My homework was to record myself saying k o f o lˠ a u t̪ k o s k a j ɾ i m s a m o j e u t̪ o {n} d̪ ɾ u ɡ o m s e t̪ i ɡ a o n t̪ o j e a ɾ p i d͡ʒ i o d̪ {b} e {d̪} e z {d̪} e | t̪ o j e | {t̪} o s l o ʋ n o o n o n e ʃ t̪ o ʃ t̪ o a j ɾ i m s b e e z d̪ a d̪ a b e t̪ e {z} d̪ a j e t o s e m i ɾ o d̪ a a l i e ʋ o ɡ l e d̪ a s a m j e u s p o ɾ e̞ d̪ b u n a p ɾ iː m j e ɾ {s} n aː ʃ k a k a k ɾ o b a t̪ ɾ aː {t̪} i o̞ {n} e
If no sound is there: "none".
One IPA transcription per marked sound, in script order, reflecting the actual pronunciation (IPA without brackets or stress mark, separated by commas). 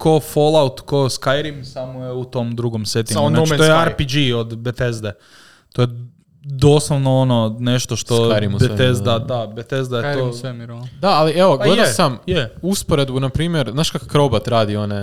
m, b, t̪, d̪, d̪, z, z, d̪, n